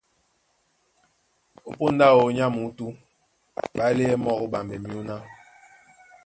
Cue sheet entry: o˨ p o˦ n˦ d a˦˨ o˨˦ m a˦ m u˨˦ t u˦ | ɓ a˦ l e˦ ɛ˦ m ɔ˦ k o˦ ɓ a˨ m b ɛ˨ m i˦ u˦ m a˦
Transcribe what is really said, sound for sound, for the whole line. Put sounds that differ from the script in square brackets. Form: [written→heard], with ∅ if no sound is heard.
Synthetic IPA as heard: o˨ p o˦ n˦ d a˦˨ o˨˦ [m→ɲ] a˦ m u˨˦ t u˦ | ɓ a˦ l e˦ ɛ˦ m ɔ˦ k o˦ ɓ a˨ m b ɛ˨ m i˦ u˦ [m→n] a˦